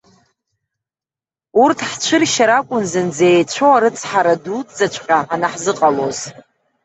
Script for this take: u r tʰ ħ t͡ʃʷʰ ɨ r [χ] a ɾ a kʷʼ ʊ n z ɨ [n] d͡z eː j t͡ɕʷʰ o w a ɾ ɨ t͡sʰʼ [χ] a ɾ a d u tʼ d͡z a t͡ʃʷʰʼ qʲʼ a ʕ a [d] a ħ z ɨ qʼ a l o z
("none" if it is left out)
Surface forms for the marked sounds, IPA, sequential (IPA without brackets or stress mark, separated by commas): ʃ, n, ħ, n